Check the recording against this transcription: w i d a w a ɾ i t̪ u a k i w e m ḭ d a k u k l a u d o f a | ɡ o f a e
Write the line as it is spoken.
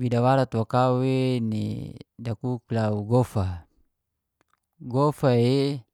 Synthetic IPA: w i d a w a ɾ a t̪ w a k a w e n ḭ d a k u k l a u ɡ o f a | ɡ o f a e